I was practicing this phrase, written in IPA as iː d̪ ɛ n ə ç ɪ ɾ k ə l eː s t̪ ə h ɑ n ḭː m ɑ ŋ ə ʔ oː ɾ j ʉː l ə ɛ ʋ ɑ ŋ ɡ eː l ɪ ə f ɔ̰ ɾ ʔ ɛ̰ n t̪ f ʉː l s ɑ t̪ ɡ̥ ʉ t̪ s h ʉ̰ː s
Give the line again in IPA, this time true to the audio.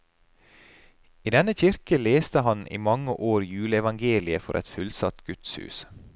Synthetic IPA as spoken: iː d̪ ɛ n ə ç ɪ ɾ k ə l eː s t̪ ə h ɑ n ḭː m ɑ ŋ ə ʔ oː ɾ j ʉː l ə ɛ ʋ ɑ ŋ ɡ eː l ɪ ə f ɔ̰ ɾ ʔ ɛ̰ t̪ f ʉ l s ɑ t̪ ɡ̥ ʉ t̪ s h ʉ̰ː s